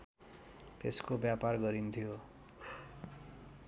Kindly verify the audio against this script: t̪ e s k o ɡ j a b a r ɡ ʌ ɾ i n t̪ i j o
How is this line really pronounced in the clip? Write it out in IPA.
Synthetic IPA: t̪ e s k o b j a p a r ɡ ʌ ɾ i n t̪ʰ i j o